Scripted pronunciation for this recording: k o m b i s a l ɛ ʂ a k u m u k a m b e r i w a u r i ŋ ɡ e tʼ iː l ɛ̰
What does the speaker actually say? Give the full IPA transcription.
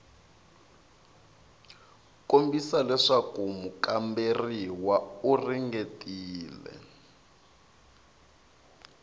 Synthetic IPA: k o m b i s a l ɛ ʂ a k u m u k a m b e r i w a u r i ŋ ɡ e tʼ iː l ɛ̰